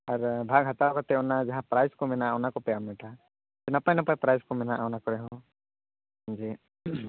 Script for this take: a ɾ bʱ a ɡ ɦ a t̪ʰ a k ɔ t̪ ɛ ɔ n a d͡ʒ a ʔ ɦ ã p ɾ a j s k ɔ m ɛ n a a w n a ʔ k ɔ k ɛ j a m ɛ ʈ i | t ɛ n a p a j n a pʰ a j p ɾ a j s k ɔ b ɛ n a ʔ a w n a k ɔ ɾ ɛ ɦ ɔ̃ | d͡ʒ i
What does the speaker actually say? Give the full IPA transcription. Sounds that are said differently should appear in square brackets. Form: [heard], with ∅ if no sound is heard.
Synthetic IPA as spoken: a ɾ bʱ a ɡ ɦ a [t̪] a k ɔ t̪ ɛ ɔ n a d͡ʒ a [∅] ɦ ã p ɾ a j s k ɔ m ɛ n a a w n a [∅] k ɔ [p] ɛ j a m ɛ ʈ [a] | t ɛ n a p a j n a [p] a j p ɾ a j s k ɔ [m] ɛ n a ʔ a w n a k ɔ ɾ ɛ ɦ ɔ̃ | d͡ʒ i